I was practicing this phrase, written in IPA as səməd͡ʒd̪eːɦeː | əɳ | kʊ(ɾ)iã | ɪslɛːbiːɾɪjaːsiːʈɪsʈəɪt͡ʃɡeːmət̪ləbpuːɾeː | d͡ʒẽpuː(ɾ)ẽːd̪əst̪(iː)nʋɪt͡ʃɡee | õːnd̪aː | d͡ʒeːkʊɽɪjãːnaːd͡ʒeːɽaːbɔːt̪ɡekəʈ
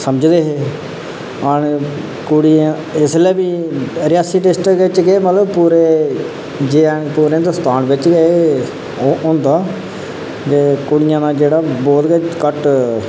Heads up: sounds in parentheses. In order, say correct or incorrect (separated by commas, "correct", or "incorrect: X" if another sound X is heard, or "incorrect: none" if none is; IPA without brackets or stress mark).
incorrect: ɽ, correct, incorrect: aː